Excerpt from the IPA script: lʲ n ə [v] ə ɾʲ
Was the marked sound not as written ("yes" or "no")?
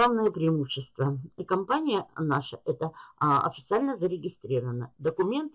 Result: yes